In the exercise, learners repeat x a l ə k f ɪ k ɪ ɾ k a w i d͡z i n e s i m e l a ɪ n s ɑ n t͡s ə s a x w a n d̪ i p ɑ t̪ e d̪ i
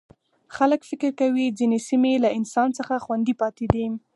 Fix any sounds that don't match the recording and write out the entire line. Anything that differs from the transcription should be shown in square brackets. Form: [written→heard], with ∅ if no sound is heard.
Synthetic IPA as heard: x a l ə k f ɪ k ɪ ɾ k a w i d͡z i n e s i m e l a ɪ n s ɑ n t͡s ə [s→x] a x w a n d̪ i p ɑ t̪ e d̪ i